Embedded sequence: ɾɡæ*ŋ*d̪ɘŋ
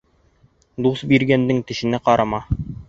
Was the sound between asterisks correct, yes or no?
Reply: no